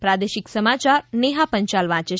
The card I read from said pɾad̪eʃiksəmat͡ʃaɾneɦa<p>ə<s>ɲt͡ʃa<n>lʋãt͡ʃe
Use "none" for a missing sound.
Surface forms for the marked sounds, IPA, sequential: p, none, none

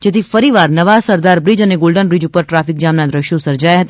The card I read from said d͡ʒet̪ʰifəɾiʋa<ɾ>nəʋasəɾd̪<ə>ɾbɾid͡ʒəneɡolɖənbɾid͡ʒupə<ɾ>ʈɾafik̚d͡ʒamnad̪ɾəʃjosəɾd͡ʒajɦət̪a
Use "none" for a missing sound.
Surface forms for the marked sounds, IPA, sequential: ɾ, a, ɾ

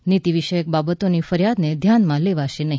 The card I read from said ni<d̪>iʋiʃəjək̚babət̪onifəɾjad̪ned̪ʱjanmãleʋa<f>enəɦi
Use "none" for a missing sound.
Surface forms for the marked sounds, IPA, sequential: t̪, ʃ

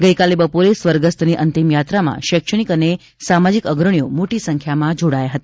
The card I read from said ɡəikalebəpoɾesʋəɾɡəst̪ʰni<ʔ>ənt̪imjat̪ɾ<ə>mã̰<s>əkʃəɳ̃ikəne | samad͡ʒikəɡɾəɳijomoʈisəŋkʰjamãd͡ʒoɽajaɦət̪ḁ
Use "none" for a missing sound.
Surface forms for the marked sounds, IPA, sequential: ʔ, a, ʃ

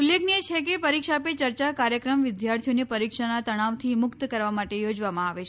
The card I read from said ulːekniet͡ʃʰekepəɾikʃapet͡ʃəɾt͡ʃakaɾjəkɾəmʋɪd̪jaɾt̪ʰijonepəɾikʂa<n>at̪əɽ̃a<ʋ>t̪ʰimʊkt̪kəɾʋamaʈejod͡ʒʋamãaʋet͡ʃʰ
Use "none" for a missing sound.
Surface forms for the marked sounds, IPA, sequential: n, ʋ

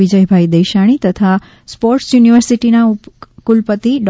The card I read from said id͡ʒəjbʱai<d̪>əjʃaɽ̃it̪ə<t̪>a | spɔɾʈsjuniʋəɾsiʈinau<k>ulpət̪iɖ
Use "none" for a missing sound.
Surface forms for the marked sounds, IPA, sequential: d̪, t̪ʰ, k

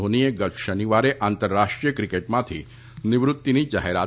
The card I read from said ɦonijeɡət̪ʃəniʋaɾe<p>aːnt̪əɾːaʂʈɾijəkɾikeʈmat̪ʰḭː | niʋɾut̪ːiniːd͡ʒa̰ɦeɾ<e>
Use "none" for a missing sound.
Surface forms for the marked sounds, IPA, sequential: ʔ, a

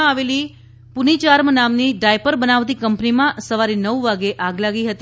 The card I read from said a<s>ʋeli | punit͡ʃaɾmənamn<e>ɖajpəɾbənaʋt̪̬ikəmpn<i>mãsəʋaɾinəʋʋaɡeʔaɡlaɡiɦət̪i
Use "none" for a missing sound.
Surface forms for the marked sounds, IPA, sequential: none, i, i

